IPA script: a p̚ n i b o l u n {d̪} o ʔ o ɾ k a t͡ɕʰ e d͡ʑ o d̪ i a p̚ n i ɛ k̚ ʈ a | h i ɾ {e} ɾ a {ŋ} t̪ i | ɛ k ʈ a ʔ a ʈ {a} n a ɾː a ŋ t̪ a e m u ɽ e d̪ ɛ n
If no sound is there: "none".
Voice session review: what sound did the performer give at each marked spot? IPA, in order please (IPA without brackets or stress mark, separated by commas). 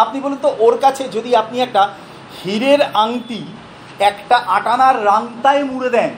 t̪, e, ŋ, a